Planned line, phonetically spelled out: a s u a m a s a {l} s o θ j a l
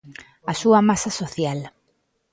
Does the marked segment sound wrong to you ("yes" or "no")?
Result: yes